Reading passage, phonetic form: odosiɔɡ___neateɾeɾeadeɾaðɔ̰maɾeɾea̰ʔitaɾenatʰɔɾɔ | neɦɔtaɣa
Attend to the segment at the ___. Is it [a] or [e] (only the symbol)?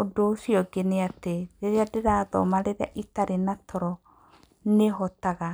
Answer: e